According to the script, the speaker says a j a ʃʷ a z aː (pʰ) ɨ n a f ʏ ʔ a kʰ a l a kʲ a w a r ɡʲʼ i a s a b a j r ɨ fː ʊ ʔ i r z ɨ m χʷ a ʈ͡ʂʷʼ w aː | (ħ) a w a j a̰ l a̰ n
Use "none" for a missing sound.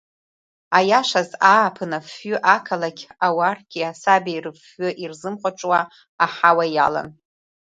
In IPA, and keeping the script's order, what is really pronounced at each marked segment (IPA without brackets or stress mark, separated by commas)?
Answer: pʰ, ħ